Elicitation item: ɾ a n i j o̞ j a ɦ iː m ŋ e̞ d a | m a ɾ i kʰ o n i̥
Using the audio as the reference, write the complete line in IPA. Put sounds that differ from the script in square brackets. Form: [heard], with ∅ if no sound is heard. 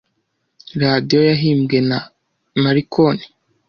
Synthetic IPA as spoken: ɾ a [d] i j o̞ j a ɦ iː m [ɡ] e̞ [n] a | m a ɾ i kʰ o n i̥